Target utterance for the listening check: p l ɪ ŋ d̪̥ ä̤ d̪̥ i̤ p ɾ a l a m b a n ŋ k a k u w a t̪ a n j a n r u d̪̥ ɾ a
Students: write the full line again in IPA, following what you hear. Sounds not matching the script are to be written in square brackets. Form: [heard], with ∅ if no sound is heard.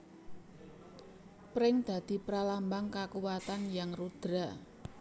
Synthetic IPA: p [ɾ] ɪ ŋ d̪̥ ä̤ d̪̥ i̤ p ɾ a l a m b a [∅] ŋ k a k u w a t̪ a n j a [ŋ] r u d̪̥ ɾ a